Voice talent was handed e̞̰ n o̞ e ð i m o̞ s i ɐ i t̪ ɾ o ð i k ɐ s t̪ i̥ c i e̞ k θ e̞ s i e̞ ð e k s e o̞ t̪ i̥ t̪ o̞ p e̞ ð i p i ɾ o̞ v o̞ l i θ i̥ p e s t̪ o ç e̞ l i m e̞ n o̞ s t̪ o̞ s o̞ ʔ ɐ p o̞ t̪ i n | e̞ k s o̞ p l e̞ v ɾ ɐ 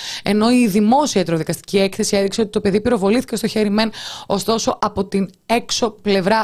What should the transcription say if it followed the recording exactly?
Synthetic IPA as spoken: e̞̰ n o̞ i ð i m o̞ s i ɐ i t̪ ɾ o ð i k ɐ s t̪ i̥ c i e̞ k θ e̞ s i e̞ ð i k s e o̞ t̪ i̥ t̪ o̞ p e̞ ð i p i ɾ o̞ v o̞ l i θ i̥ c e s t̪ o ç e̞ ɾ i m e̞ n o̞ s t̪ o̞ s o̞ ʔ ɐ p o̞ t̪ i n | e̞ k s o̞ p l e̞ v ɾ ɐ